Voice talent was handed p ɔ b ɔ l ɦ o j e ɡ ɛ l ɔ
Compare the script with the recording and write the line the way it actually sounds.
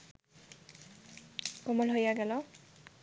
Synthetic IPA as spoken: k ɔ m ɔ l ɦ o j a ɡ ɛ l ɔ